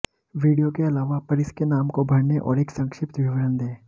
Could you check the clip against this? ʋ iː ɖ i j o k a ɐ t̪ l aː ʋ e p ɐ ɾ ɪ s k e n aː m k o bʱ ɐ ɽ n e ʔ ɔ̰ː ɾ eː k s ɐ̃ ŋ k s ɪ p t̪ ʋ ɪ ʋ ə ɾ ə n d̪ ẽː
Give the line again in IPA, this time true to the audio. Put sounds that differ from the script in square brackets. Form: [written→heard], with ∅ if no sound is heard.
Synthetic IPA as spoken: ʋ iː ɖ i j o k [a→e] ɐ [t̪→∅] l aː ʋ [e→a] p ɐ ɾ ɪ s k e n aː m k o bʱ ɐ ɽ n e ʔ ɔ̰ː ɾ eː k s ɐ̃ ŋ k [s→ʃ] ɪ p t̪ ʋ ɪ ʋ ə ɾ ə n d̪ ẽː